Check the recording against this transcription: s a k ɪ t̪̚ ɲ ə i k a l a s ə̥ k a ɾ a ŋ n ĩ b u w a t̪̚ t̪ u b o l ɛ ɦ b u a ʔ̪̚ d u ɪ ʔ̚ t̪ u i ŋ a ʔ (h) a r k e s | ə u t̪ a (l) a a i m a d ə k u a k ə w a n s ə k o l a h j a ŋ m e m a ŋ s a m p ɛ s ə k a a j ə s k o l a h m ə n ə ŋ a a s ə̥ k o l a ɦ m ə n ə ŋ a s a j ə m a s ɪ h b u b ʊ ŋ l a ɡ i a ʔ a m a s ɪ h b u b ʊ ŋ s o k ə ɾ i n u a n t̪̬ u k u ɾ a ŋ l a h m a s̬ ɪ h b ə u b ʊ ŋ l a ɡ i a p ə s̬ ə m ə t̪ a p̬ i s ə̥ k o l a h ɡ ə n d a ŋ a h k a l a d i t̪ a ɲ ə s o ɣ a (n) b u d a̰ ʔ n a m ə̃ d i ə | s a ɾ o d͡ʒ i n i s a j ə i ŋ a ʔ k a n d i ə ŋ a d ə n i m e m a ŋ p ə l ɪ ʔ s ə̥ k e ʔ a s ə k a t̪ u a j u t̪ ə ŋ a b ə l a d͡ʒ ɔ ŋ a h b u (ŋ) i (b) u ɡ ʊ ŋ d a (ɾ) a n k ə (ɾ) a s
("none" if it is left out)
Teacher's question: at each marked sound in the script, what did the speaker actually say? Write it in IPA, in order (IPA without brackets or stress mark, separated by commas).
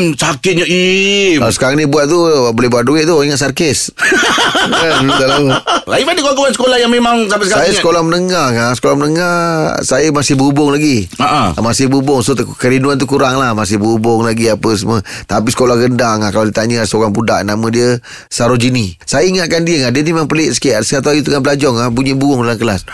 s, l, ŋ, ɲ, b, l, l